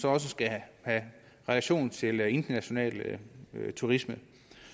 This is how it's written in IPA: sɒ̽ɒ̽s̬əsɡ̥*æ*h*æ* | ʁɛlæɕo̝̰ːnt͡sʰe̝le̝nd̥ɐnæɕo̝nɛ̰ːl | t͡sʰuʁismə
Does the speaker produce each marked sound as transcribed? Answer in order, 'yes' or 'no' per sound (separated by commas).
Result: yes, yes